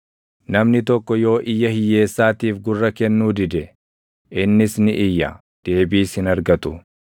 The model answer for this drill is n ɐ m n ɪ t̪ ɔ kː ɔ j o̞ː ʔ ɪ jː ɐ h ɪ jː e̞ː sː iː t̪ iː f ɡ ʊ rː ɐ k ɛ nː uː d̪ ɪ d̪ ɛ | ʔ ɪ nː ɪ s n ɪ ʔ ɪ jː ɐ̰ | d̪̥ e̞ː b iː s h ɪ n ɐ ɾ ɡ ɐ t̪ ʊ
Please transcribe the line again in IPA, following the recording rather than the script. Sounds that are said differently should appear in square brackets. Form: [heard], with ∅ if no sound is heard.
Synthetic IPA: n ɐ m n ɪ t̪ ɔ kː ɔ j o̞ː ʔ ɪ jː ɐ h ɪ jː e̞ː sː [aː] t̪ iː f ɡ ʊ rː ɐ k ɛ nː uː d̪ ɪ d̪ ɛ | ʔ ɪ nː ɪ s n ɪ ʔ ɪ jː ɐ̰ | d̪̥ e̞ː b iː s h ɪ n ɐ ɾ ɡ ɐ t̪ ʊ